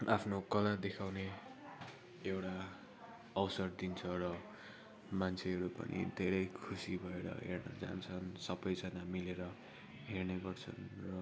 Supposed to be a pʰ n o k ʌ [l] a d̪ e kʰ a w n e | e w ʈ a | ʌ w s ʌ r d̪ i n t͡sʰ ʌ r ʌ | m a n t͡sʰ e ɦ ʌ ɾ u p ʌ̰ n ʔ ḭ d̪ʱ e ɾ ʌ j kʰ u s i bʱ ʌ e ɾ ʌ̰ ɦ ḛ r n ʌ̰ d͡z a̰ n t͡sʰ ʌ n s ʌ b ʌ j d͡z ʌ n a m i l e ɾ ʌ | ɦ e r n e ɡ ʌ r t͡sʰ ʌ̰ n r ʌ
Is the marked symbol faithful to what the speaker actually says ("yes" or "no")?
yes